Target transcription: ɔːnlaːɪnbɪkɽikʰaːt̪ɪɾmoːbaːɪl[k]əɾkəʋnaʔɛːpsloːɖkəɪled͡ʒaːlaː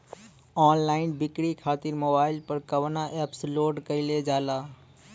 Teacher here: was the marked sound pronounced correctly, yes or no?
no